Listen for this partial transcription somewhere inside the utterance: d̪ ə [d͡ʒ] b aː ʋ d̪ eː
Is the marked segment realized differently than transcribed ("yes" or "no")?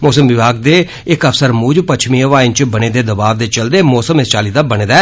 yes